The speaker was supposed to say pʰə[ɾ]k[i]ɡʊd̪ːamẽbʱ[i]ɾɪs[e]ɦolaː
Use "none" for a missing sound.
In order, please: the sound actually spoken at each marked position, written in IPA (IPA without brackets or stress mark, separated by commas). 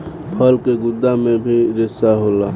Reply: l, e, i, a